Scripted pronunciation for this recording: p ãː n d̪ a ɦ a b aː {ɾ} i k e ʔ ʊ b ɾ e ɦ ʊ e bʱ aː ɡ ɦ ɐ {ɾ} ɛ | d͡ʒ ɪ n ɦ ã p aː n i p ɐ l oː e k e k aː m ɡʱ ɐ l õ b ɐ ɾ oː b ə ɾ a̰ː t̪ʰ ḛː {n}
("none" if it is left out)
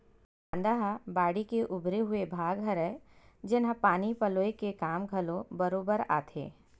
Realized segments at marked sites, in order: ɽ, ɾ, none

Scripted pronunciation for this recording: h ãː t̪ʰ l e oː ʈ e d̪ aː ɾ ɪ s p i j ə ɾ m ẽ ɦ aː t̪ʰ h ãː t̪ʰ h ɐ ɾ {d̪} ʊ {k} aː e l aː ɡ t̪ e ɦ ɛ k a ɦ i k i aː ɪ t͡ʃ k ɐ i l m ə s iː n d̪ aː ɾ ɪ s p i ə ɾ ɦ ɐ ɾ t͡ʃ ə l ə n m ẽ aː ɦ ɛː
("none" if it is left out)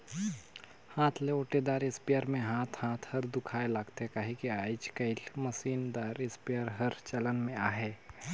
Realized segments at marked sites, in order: d̪, kʰ

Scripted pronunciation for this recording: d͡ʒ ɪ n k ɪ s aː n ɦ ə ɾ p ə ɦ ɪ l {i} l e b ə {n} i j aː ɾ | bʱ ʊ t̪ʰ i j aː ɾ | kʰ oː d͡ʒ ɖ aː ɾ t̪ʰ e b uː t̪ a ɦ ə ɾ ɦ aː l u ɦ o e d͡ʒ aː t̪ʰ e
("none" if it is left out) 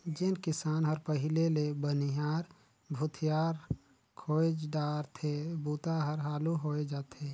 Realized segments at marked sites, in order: e, n

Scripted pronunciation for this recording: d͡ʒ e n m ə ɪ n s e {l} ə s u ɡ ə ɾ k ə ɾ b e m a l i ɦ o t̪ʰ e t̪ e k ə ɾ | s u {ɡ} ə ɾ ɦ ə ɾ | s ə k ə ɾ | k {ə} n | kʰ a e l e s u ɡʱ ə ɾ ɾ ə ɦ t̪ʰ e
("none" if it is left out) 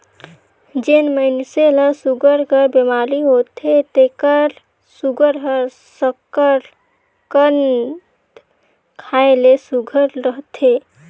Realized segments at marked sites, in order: l, ɡ, ə

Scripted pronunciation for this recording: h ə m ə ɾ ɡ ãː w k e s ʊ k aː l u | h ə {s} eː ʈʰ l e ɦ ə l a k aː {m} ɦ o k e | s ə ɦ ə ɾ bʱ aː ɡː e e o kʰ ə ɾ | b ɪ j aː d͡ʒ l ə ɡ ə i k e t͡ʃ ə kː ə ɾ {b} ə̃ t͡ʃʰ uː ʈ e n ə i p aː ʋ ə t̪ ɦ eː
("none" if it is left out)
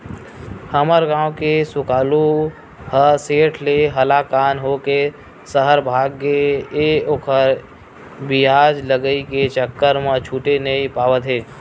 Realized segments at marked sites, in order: s, n, m

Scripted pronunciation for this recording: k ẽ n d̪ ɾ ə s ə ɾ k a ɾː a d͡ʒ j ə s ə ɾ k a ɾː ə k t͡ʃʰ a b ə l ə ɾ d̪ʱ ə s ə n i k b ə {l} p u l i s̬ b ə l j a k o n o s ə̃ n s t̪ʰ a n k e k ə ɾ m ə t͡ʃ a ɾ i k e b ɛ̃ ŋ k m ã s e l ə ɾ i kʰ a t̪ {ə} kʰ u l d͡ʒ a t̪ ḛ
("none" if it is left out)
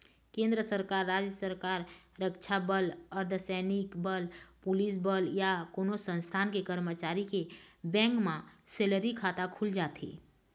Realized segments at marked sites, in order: l, a

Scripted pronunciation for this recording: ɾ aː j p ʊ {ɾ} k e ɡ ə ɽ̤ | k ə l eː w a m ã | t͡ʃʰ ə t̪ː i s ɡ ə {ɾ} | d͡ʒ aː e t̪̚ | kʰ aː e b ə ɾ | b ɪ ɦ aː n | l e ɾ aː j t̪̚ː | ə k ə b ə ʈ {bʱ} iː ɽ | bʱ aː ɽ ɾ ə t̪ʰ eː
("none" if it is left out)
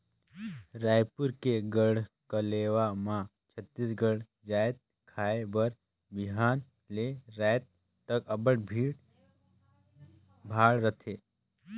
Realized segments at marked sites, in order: ɾ, ɽ, bʱ

